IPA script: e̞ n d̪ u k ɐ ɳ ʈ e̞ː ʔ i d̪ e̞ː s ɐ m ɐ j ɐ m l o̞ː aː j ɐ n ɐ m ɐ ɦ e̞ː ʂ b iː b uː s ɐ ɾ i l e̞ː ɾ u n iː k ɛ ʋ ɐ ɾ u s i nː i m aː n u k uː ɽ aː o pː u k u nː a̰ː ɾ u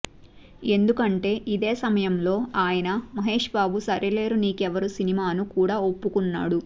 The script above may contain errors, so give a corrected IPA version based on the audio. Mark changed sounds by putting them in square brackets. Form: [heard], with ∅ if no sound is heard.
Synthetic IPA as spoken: e̞ n d̪ u k ɐ ɳ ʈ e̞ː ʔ i d̪ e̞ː s ɐ m ɐ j ɐ m l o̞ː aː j ɐ n ɐ m ɐ ɦ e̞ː ʂ b [aː] b [u] s ɐ ɾ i l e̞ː ɾ u n iː k ɛ ʋ ɐ ɾ u s i [n] i m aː n u k uː ɽ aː o pː u k u nː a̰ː [ɽ] u